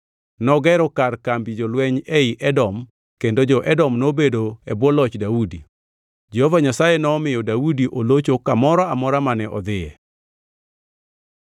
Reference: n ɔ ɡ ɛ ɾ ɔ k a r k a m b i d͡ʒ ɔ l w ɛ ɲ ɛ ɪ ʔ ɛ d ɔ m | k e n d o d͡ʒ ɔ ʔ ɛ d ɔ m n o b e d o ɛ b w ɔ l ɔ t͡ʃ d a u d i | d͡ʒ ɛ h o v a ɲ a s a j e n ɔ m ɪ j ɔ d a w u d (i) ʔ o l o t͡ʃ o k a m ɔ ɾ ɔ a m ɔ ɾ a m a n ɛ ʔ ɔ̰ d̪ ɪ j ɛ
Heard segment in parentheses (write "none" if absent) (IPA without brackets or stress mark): i